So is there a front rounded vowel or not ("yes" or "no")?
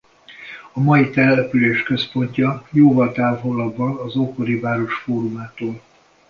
yes